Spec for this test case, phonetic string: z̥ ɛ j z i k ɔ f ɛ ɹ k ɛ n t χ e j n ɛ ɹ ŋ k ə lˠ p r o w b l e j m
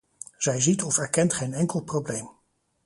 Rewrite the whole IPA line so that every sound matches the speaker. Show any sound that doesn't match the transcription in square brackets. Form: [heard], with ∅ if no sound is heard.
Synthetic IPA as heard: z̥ ɛ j z i [t] ɔ f ɛ ɹ k ɛ n t χ e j n ɛ [∅] ŋ k ə lˠ p r o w b l e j m